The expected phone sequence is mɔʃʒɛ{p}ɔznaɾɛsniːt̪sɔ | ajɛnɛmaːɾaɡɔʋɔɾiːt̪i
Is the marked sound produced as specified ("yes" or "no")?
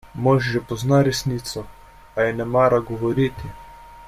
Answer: yes